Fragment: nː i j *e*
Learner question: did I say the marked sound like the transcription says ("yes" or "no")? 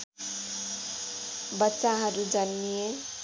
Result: yes